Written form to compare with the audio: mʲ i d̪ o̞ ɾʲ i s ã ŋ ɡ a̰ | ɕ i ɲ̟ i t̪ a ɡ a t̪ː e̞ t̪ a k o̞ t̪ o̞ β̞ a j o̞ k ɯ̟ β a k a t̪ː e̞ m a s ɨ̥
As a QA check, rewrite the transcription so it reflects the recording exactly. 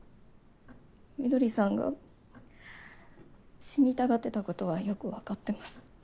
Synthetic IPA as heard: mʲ i d̪ o̞ ɾʲ i s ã ŋ ɡ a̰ | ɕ i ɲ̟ i t̪ a ɡ a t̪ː e̞ t̪ a k o̞ t̪ o̞ β̞ a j o̞ k ɯ̟ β a k a t̪ː e̞ m a s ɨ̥